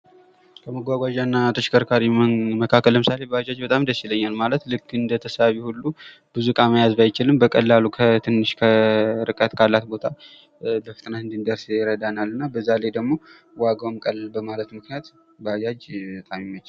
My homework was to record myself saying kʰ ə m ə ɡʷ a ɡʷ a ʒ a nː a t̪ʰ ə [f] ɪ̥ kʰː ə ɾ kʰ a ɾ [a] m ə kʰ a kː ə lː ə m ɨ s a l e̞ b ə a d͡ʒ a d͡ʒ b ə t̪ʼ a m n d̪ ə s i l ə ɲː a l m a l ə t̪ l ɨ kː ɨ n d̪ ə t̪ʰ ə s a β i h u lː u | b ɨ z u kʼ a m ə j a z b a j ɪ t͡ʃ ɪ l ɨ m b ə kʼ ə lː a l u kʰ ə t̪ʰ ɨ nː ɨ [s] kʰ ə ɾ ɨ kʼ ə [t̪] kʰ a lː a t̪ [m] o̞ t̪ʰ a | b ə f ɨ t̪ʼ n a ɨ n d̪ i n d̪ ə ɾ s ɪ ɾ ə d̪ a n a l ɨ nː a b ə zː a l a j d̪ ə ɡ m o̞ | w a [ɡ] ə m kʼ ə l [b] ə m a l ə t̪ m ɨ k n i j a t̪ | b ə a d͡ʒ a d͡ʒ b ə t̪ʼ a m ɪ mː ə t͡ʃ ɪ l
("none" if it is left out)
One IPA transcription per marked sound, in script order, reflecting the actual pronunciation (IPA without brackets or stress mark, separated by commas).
ʃ, i, ʃ, t̪, b, ɡ, b